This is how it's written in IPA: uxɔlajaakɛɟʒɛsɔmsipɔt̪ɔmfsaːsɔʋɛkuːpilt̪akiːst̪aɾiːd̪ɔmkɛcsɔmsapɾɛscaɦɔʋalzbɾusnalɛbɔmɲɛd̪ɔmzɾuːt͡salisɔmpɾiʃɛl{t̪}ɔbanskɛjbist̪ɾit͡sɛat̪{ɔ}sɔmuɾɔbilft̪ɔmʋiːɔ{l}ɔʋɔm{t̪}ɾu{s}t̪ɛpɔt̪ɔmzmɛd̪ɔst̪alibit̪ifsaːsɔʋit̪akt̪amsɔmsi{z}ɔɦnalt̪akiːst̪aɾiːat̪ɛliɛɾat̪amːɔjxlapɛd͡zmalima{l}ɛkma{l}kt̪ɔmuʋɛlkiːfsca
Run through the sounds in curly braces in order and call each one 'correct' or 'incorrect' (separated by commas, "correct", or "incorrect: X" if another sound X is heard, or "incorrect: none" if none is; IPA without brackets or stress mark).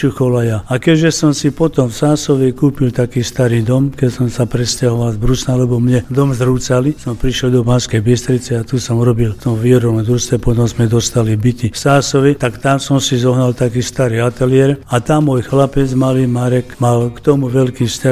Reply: incorrect: d̪, incorrect: u, incorrect: ɾ, incorrect: d̪, correct, correct, incorrect: ɾ, correct